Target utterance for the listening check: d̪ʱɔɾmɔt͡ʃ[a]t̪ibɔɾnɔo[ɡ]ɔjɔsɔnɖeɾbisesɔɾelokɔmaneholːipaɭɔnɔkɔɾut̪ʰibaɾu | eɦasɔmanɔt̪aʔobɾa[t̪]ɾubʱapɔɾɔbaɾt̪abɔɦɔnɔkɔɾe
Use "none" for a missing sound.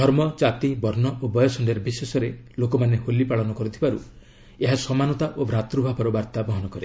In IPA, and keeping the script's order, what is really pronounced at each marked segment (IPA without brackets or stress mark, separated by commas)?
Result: a, b, t̪